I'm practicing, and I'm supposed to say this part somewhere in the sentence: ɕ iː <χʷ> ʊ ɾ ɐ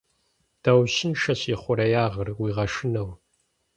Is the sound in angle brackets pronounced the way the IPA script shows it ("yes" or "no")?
yes